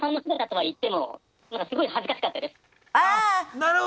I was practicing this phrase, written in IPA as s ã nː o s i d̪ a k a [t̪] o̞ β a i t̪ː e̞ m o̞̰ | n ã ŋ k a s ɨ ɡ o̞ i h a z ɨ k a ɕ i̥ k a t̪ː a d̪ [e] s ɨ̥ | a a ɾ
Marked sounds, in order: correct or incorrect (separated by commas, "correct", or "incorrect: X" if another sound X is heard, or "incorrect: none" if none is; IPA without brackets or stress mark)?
correct, correct